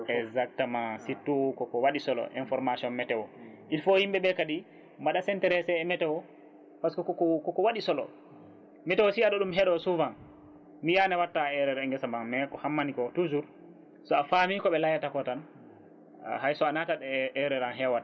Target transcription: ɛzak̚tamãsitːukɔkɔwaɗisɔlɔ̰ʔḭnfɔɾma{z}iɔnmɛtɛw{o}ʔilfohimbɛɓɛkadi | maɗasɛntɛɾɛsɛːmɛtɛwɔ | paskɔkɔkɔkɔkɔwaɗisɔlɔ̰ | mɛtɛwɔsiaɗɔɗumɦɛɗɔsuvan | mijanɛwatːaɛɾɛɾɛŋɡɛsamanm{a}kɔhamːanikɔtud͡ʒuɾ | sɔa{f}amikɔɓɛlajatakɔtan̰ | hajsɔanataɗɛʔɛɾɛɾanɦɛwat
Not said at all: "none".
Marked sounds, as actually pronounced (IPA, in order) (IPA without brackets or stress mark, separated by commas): s, ɔ, ɛ, f